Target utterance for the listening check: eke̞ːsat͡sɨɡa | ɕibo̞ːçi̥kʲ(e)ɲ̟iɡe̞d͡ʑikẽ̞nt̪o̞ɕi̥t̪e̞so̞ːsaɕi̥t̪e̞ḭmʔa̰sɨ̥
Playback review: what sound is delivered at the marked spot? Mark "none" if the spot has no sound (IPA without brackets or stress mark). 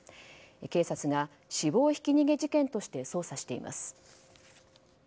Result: i